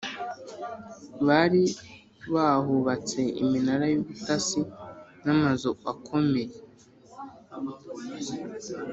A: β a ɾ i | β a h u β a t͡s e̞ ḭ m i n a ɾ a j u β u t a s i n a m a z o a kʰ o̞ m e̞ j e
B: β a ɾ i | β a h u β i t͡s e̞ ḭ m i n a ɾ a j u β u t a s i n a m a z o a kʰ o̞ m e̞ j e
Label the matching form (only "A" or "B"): A